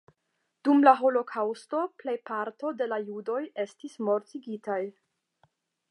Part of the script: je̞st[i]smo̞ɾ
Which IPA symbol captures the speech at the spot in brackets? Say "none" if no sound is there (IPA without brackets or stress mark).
i